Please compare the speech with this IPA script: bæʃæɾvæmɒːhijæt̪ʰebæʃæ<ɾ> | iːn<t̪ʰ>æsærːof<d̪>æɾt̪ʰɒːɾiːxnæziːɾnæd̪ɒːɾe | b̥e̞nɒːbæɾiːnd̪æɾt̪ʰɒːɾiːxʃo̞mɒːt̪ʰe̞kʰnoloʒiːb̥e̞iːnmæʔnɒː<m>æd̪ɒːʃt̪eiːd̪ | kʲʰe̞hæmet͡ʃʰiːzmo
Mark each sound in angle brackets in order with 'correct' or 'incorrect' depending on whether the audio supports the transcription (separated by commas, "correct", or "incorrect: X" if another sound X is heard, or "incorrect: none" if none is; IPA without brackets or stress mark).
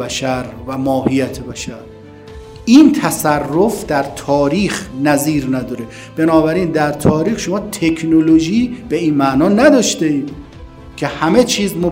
correct, correct, correct, incorrect: n